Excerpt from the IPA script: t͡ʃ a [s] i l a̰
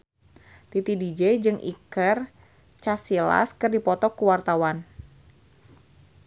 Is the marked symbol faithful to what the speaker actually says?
yes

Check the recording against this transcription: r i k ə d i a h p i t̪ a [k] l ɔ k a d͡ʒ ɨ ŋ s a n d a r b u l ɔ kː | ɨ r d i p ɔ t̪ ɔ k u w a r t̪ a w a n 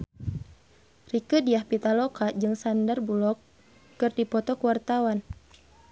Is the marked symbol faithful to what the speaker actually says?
no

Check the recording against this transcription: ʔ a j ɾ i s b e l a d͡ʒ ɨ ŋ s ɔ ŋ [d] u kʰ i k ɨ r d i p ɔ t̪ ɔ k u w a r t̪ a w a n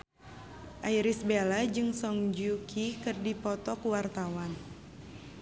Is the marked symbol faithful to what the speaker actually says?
no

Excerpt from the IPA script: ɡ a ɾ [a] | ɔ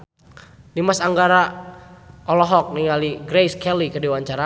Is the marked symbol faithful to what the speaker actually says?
yes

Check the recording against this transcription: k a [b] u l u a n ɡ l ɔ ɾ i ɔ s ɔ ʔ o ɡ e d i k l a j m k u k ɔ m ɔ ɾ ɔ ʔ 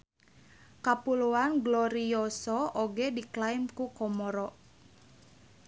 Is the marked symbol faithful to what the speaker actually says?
no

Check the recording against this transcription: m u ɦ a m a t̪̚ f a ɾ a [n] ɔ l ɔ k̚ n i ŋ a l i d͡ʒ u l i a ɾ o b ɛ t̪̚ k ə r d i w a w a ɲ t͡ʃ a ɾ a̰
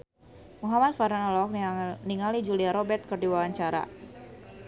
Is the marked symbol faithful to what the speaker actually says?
yes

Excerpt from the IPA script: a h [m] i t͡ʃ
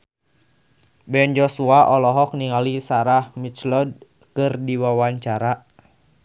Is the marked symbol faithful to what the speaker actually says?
yes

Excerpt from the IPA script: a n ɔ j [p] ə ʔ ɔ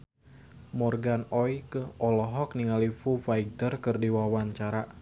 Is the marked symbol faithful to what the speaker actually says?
no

